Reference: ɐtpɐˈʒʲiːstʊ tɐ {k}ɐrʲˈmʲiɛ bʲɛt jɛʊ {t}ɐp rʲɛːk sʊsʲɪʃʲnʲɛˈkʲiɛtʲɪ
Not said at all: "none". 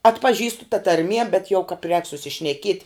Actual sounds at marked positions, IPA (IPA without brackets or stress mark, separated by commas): t, k